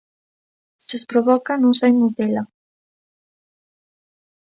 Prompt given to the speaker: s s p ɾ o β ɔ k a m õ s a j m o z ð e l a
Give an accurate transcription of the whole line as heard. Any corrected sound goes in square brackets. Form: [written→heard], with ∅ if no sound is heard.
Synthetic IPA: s s p ɾ o β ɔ k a [m→n] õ s a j m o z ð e l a